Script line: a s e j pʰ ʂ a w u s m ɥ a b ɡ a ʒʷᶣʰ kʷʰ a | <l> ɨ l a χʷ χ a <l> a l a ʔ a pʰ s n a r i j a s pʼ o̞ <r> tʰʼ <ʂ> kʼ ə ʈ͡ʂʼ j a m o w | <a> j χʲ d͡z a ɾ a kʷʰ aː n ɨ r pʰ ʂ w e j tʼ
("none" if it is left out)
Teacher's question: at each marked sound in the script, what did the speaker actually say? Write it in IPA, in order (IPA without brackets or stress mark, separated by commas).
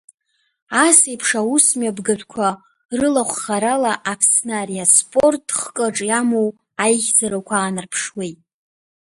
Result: r, ɾ, r, χ, a